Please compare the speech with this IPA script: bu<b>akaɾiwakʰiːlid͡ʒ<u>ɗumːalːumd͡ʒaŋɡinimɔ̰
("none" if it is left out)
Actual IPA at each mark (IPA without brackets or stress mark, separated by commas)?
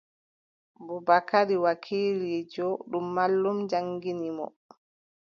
b, ɔ